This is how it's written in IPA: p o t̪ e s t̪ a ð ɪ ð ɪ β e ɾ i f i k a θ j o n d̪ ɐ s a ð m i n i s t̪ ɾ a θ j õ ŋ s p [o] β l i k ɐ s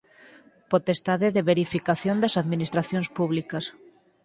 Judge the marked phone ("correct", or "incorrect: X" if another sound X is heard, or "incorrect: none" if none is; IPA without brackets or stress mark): incorrect: u